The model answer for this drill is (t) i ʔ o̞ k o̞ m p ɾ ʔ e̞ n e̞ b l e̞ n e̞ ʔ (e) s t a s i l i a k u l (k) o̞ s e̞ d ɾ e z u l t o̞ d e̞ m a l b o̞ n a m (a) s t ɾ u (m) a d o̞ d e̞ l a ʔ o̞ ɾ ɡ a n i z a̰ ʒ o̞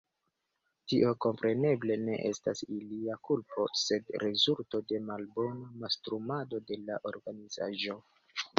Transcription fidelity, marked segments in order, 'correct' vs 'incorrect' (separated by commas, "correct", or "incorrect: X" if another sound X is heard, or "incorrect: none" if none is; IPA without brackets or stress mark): correct, correct, incorrect: p, correct, correct